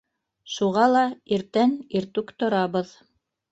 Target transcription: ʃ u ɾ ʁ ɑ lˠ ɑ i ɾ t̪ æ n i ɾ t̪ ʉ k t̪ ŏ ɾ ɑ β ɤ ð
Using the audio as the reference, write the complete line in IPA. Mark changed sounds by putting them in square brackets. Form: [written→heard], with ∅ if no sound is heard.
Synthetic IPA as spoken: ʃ u [ɾ→∅] ʁ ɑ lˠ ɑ i ɾ t̪ æ n i ɾ t̪ ʉ k t̪ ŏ ɾ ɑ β ɤ ð